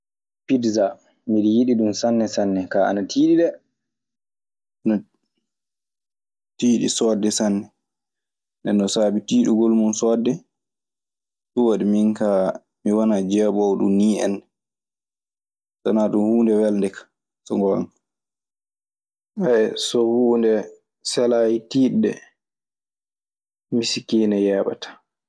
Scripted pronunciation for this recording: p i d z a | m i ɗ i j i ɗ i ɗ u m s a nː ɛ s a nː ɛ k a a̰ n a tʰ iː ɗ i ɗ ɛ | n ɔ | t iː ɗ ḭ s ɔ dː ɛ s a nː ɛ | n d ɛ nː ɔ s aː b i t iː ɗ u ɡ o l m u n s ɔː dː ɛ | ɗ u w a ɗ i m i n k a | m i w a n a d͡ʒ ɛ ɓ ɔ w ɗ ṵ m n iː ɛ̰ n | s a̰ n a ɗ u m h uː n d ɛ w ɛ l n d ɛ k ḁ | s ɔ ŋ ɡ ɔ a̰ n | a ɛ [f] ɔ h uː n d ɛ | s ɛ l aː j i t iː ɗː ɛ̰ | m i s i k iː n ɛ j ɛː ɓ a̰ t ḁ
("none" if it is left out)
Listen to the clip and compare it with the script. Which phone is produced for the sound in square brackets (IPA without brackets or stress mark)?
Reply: s